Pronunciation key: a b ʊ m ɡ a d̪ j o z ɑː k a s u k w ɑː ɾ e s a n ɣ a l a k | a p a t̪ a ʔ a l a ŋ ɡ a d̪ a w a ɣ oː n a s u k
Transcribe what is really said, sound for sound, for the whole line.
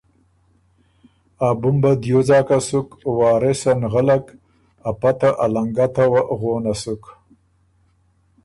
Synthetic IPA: a b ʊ m b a d̪ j o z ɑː k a s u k w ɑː ɾ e s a n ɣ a l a k | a p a t̪ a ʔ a l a ŋ ɡ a t̪ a w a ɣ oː n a s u k